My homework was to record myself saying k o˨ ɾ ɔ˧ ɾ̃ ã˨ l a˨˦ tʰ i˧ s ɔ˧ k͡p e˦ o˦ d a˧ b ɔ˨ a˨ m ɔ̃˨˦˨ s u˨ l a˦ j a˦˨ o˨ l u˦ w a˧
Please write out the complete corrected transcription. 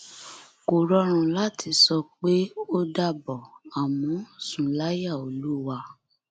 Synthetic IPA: k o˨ ɾ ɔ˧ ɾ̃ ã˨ l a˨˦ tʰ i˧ s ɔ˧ k͡p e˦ o˦ d a˧ b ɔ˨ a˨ m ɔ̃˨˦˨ s ũ˨ l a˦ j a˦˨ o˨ l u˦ w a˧